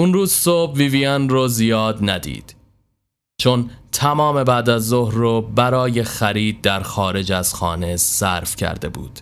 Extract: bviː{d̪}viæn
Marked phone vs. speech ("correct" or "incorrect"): incorrect